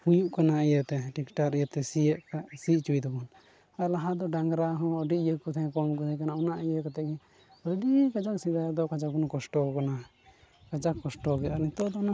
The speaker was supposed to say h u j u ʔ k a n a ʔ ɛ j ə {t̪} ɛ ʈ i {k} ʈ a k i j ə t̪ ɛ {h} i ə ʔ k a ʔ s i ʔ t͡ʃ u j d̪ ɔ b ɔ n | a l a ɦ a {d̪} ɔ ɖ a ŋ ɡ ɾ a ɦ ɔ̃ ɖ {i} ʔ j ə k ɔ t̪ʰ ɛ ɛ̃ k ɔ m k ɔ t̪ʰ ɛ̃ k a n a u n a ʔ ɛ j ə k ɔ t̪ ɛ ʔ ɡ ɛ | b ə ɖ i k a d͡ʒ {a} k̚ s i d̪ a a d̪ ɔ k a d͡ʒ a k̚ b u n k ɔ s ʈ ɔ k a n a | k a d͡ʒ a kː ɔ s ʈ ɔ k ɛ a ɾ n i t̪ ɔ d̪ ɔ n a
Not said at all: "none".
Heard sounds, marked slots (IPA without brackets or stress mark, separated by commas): t̪, k, s, d̪, i, a